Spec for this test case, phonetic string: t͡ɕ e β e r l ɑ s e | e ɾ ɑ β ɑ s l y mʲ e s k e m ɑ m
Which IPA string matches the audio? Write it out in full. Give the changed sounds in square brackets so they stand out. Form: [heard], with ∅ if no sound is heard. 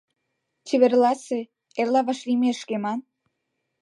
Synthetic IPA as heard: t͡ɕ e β e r l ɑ s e | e [l] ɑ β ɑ [ʃ] l [i] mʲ e [ʃ] k e m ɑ [n]